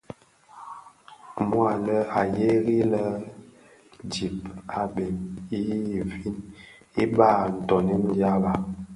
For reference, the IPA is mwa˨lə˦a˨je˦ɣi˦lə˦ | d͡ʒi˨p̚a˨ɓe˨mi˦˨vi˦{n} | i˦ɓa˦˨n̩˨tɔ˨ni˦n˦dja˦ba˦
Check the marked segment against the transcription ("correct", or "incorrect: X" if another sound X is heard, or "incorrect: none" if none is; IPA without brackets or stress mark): correct